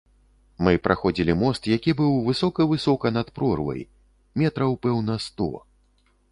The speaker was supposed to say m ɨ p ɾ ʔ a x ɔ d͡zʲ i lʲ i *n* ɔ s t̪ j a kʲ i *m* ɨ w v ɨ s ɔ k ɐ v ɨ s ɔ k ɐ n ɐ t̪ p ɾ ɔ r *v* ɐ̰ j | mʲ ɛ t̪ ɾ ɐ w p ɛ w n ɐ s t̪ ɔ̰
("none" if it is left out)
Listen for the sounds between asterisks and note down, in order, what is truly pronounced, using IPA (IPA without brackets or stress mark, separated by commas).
m, b, v